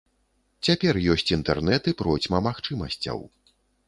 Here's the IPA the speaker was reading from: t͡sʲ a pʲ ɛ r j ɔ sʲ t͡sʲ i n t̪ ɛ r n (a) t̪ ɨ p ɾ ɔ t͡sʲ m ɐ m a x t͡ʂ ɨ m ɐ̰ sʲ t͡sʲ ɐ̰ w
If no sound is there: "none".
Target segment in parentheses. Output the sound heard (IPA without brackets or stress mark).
ɛ